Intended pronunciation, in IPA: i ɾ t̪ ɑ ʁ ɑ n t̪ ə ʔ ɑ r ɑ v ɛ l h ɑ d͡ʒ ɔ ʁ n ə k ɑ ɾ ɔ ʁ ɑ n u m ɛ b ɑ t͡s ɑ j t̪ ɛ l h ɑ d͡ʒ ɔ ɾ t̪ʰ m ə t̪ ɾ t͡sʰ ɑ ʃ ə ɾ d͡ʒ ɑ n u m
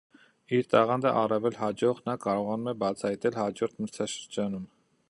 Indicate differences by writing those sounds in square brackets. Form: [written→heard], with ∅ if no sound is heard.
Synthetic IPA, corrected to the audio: i ɾ t̪ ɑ ʁ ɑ n [t̪→d̪] ə ʔ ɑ r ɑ v ɛ l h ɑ d͡ʒ ɔ ʁ n [ə→ɑ] k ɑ ɾ ɔ ʁ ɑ n u m ɛ b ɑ [t͡s→t͡sʰ] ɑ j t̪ ɛ l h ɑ d͡ʒ ɔ ɾ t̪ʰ m ə [t̪→∅] ɾ t͡sʰ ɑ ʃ ə ɾ d͡ʒ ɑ n u m

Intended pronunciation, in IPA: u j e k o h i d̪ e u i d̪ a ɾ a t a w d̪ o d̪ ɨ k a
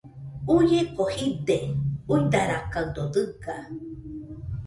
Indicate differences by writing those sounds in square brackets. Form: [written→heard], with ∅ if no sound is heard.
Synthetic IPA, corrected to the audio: u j e k o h i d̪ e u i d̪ a ɾ a [t→k] a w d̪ o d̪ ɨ k a

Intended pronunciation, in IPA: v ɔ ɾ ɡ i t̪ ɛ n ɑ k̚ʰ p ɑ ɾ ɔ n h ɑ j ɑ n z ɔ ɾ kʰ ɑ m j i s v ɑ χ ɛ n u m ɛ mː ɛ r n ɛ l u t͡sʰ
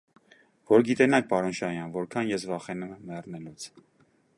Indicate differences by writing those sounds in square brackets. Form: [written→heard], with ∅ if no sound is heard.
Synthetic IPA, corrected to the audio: v ɔ ɾ ɡ i t̪ ɛ n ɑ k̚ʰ p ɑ ɾ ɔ n [h→ʃ] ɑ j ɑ n [z→v] ɔ ɾ kʰ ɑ [m→n] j [i→ɛ] s v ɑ χ ɛ n u m ɛ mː ɛ r n ɛ l u t͡sʰ

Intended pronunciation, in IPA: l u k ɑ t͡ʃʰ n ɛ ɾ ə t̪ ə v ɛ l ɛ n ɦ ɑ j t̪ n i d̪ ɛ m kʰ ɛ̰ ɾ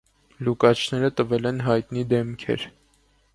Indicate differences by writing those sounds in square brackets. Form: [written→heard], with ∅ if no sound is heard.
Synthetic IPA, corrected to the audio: l u k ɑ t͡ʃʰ n ɛ ɾ ə t̪ ə v ɛ l ɛ n ɦ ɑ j t̪ n i d̪ ɛ m kʰ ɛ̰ ɾ

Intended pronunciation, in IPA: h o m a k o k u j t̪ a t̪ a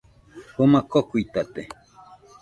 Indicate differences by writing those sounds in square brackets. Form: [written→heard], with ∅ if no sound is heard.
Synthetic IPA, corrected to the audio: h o m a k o k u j t̪ a t̪ [a→e]

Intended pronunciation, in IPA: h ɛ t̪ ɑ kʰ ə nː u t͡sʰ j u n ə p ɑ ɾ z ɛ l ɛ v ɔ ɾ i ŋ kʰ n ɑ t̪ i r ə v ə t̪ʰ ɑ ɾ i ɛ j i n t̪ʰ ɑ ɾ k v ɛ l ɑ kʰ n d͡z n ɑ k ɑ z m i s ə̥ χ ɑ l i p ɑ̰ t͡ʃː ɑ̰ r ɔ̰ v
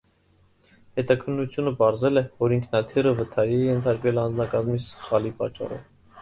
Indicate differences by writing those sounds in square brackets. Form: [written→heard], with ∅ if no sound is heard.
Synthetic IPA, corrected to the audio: h ɛ t̪ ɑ kʰ ə nː u t͡sʰ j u n ə p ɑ ɾ z ɛ l ɛ v ɔ ɾ i ŋ kʰ n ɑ [t̪→t̪ʰ] i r ə v ə t̪ʰ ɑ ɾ i ɛ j [i→ɛ] n t̪ʰ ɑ ɾ k v ɛ l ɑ [kʰ→∅] n d͡z n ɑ k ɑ z m i s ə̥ χ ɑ l i p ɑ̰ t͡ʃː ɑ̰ r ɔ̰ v

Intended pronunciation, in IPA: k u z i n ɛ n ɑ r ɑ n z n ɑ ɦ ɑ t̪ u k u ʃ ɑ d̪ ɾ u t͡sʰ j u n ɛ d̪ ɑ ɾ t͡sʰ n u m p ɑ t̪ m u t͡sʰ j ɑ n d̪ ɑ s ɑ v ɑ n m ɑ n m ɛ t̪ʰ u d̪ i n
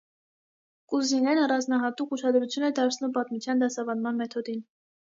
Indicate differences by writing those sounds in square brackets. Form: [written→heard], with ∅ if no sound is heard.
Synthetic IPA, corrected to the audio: k u z i n ɛ n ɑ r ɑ n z n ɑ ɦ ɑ t̪ u k u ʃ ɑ d̪ ɾ u t͡sʰ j u n ɛ d̪ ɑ ɾ t͡sʰ n u m p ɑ t̪ m u t͡sʰ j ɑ n d̪ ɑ s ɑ v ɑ n m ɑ n m ɛ t̪ʰ [u→ɔ] d̪ i n

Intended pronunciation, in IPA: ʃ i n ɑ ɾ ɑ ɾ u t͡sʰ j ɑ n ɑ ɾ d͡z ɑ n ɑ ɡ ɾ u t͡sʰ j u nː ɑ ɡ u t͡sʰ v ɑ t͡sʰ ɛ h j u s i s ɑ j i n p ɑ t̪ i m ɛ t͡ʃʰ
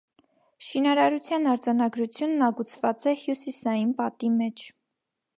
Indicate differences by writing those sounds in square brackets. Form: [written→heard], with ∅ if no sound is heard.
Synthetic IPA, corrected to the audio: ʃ i n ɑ ɾ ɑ ɾ u t͡sʰ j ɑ n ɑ ɾ d͡z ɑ n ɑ ɡ ɾ u t͡sʰ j u nː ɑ ɡ u t͡sʰ v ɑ [t͡sʰ→t͡s] ɛ h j u s i s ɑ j i n p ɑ t̪ i m ɛ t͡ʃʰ

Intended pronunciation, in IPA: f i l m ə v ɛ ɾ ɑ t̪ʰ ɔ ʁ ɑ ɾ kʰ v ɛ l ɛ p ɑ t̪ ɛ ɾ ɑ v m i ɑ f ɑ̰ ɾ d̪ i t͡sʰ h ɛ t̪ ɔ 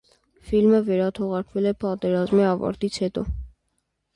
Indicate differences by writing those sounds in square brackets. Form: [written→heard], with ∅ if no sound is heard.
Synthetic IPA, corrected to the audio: f i l m ə v ɛ ɾ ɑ t̪ʰ ɔ ʁ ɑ ɾ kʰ v ɛ l ɛ p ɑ t̪ ɛ ɾ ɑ [v→z] m i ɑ [f→v] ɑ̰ ɾ [d̪→t̪] i t͡sʰ h ɛ t̪ ɔ

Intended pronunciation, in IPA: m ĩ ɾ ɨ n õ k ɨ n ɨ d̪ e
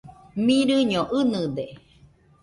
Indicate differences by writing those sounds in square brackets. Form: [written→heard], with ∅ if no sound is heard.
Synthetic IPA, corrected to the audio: m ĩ ɾ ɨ [n→ɲ] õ [k→ʔ] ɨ n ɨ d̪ e

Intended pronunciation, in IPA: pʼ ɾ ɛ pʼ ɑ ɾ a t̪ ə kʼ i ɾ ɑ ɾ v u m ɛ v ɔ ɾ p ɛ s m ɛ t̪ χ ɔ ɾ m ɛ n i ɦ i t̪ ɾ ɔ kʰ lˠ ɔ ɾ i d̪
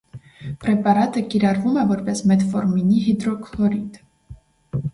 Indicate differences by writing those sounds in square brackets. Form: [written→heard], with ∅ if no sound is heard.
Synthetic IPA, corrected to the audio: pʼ ɾ ɛ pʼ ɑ ɾ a t̪ ə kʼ i ɾ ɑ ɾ v u m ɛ v ɔ ɾ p ɛ s m ɛ t̪ [χ→f] ɔ ɾ m [ɛ→i] n i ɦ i [t̪→d̪] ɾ ɔ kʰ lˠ ɔ ɾ i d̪

